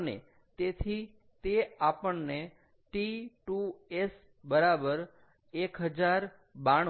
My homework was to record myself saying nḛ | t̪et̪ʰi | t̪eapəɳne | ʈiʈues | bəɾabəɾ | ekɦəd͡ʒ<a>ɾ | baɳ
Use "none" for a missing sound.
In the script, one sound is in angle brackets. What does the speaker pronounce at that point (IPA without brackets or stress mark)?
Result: a